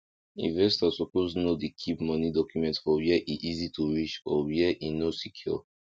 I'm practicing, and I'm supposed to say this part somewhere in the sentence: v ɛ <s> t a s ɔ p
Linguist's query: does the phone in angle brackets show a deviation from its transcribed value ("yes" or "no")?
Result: no